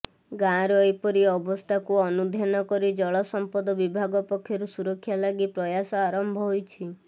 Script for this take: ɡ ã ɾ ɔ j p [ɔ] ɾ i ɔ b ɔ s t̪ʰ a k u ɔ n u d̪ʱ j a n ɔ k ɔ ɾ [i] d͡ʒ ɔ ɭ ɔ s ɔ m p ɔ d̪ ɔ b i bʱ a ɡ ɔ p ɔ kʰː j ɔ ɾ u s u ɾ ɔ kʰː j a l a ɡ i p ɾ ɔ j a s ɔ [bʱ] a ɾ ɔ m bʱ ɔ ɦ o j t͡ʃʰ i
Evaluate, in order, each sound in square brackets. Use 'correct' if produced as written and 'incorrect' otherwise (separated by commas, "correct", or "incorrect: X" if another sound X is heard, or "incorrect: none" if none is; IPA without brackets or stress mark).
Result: correct, correct, incorrect: none